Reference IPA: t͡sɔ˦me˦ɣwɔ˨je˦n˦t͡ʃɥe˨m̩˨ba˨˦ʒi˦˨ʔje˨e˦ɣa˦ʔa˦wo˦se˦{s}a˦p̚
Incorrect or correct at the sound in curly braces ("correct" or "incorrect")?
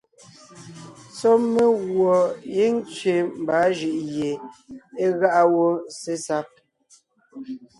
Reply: correct